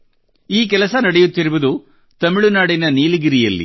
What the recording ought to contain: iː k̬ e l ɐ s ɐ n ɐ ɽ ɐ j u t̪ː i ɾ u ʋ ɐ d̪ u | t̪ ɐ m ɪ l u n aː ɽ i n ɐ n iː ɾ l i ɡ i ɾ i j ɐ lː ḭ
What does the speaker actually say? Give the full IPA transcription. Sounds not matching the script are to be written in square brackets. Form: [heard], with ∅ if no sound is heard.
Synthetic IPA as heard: iː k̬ [ɛ] l ɐ s ɐ n ɐ ɽ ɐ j u t̪ː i ɾ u ʋ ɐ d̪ u | t̪ ɐ m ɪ [ɭ] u n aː ɽ i n ɐ n iː [∅] l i ɡ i ɾ i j ɐ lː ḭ